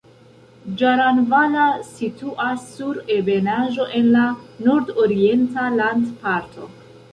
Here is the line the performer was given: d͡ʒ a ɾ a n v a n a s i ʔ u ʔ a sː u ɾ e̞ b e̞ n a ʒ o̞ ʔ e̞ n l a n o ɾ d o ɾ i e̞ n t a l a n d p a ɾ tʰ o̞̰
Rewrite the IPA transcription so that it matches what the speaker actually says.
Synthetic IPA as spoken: d͡ʒ a ɾ a n v a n a s i t u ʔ a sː u ɾ e̞ b e̞ n a ʒ o̞ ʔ e̞ n l a n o ɾ d o ɾ i e̞ n t a l a n d p a ɾ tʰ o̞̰